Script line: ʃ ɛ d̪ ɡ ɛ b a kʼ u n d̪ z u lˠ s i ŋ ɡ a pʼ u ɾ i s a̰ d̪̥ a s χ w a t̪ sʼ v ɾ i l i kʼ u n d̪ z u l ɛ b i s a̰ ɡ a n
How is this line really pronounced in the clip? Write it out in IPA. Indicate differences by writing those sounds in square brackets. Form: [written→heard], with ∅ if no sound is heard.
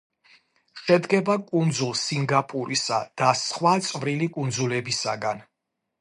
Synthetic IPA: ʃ ɛ d̪ ɡ ɛ b a kʼ u n d̪ z u lˠ s i ŋ ɡ a pʼ u ɾ i s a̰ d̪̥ a s χ w a t̪ sʼ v ɾ i l i kʼ u n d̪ z u l ɛ b i s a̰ ɡ a n